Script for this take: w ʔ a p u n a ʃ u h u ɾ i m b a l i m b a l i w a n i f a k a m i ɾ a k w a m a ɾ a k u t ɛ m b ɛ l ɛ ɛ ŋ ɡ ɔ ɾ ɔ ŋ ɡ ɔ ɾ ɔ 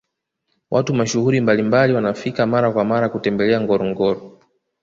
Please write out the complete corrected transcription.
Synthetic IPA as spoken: w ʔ a t u m a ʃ u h u ɾ i m b a l i m b a l i w a n a f i k a m a ɾ a k w a m a ɾ a k u t ɛ m b ɛ l ɛ a ŋ ɡ ɔ ɾ ɔ ŋ ɡ ɔ ɾ ɔ